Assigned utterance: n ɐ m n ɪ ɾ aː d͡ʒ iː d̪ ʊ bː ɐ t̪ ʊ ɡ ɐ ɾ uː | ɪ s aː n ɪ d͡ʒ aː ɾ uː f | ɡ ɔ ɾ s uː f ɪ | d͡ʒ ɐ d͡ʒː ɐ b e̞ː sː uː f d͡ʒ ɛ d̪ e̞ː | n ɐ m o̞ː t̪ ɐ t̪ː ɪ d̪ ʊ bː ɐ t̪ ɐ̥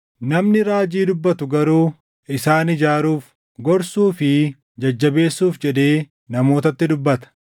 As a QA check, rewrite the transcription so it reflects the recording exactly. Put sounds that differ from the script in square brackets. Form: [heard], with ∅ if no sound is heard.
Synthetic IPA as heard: n ɐ m n ɪ ɾ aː d͡ʒ iː d̪ ʊ bː ɐ t̪ ʊ ɡ ɐ ɾ uː | ɪ s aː n ɪ d͡ʒ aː ɾ uː f | ɡ ɔ ɾ s uː f ɪ | d͡ʒ ɐ d͡ʒː ɐ b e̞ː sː uː f d͡ʒ ɛ d̪ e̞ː | n ɐ m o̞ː t̪ ɐ t̪ː ɪ d̪ ʊ bː ɐ t̪ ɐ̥